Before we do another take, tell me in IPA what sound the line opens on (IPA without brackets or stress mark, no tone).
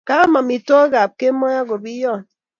k